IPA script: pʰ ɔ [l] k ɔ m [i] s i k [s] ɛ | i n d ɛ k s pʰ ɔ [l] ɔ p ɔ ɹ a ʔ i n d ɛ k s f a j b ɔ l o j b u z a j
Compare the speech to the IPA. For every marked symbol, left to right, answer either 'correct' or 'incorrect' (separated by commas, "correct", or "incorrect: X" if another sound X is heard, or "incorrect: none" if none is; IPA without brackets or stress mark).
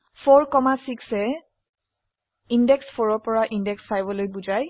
incorrect: ɹ, incorrect: a, correct, incorrect: ɹ